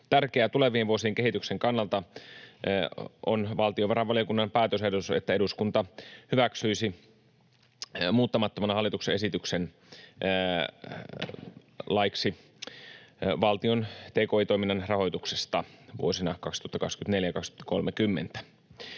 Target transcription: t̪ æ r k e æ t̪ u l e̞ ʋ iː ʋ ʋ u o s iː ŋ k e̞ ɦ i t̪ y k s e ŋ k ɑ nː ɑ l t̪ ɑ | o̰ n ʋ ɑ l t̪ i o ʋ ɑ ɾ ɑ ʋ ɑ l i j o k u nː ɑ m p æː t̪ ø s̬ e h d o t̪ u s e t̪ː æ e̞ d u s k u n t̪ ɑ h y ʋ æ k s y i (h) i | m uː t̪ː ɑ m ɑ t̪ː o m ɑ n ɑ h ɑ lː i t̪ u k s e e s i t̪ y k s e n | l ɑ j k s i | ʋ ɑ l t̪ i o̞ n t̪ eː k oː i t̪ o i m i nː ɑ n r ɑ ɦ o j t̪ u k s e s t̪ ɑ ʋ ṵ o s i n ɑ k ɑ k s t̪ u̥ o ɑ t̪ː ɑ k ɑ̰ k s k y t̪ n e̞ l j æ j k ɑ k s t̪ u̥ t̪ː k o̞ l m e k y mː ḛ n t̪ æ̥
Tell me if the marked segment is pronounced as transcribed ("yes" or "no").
no